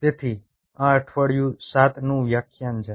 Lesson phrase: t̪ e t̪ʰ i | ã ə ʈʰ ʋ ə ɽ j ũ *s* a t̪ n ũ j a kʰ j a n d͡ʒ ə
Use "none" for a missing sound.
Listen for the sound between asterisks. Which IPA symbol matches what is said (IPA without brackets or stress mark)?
s